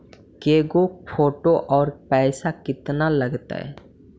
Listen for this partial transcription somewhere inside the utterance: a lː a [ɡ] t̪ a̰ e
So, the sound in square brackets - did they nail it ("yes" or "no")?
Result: yes